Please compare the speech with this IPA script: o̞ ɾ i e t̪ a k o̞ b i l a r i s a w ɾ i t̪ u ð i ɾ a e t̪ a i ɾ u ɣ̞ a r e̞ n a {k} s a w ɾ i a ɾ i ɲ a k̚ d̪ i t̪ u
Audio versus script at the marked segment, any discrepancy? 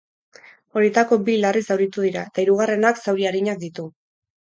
no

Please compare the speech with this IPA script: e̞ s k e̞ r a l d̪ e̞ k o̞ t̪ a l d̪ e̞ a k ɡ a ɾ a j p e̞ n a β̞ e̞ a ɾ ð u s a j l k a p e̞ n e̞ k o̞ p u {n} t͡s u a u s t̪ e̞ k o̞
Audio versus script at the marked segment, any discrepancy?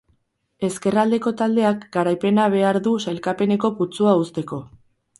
yes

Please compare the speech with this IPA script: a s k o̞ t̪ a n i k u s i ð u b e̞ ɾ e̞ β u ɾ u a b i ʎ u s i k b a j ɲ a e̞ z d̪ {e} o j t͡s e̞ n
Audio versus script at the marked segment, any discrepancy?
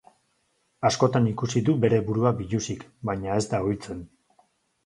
yes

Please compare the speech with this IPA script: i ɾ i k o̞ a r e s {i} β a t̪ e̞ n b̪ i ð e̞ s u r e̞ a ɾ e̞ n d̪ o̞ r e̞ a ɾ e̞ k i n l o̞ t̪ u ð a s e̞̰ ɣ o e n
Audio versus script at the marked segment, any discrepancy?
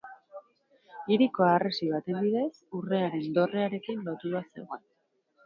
no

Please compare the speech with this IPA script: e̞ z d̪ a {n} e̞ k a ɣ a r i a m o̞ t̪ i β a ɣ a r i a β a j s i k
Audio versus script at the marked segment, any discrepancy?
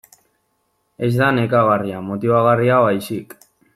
no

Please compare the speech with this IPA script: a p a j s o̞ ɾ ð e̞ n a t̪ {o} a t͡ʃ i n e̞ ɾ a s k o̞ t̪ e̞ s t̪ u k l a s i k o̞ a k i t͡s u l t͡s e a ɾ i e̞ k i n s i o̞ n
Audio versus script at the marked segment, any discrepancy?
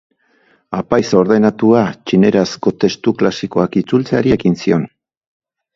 yes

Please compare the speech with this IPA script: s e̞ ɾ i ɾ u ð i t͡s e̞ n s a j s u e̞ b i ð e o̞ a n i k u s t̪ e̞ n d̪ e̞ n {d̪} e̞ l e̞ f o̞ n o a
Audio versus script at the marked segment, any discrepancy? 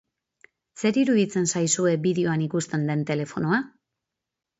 yes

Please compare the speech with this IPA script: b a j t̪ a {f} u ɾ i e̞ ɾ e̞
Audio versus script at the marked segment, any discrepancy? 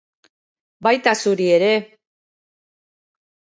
yes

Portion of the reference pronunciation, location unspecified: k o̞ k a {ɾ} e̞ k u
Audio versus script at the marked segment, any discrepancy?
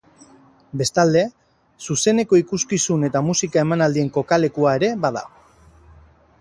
yes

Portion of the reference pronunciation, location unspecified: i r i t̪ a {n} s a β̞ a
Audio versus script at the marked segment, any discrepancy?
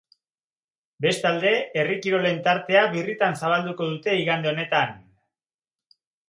no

